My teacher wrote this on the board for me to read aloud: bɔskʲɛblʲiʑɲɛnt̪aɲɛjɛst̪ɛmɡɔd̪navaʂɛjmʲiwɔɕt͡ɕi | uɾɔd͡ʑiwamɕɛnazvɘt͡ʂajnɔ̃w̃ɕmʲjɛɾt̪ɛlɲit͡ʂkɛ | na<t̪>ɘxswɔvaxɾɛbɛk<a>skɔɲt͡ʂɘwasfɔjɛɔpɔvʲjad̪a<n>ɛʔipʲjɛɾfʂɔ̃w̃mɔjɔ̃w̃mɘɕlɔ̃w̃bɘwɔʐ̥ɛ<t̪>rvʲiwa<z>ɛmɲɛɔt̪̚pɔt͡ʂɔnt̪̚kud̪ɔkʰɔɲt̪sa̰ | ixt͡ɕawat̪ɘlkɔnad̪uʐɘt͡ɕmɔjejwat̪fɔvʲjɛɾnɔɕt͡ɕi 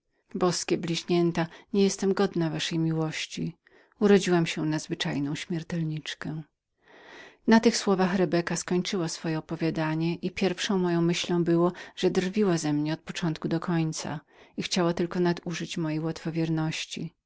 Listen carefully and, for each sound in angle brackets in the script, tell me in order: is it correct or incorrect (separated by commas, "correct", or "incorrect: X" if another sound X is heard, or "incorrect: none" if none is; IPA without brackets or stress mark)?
correct, correct, incorrect: ɲ, incorrect: d̪, correct